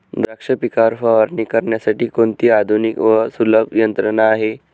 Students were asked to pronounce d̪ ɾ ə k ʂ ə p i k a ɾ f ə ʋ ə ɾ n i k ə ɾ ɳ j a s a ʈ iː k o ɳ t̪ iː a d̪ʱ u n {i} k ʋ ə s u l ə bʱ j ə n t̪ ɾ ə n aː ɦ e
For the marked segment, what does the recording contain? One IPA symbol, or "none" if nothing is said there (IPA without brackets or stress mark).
i